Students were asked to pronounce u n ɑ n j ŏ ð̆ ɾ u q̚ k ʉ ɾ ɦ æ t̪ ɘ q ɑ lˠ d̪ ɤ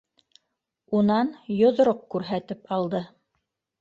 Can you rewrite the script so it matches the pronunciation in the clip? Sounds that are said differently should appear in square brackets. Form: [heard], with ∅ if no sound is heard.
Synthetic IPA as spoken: u n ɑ n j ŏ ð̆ ɾ [o] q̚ k ʉ ɾ ɦ æ t̪ ɘ [p] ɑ lˠ d̪ ɤ

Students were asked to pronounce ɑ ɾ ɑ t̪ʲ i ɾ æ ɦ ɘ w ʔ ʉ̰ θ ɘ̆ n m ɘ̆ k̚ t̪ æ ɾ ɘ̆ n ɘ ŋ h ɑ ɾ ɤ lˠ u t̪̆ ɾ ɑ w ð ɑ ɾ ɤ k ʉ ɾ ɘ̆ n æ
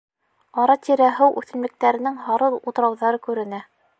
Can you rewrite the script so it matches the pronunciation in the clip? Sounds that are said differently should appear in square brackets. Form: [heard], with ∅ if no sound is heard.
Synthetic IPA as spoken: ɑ ɾ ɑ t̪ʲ i ɾ æ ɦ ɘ w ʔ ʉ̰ θ ɘ̆ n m ɘ̆ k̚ t̪ æ ɾ ɘ̆ n ɘ ŋ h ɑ ɾ ɤ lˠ u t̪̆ ɾ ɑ w ð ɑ ɾ ɤ k ʉ ɾ ɘ̆ n æ

